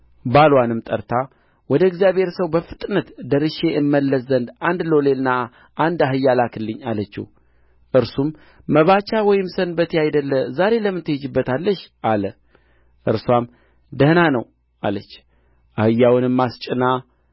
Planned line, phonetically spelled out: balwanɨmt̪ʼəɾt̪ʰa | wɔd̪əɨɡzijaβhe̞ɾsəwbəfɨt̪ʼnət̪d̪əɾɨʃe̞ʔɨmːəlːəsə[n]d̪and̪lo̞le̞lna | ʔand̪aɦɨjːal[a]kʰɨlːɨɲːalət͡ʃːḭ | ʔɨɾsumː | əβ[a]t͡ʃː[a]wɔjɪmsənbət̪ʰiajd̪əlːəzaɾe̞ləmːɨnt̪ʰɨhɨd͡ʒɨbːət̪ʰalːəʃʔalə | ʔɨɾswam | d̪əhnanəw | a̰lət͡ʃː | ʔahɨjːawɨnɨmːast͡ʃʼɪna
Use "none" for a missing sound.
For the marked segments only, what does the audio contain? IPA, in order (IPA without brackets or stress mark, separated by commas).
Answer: n, a, a, a